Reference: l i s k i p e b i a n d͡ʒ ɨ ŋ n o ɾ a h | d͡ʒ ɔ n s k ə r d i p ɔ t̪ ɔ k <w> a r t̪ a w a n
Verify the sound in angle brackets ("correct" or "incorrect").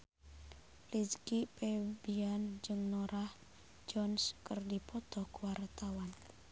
correct